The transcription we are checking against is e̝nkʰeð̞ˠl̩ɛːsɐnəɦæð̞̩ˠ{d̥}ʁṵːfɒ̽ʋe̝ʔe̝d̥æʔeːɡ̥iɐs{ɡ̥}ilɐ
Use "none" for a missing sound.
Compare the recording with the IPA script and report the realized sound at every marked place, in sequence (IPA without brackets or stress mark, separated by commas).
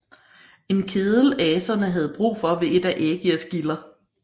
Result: b̥, ɡ̥